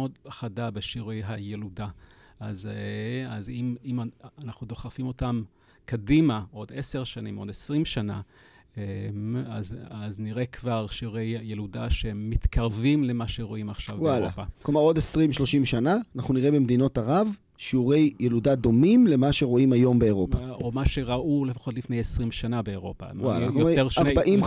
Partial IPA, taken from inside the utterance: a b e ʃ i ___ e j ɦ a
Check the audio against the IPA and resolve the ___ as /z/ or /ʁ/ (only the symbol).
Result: ʁ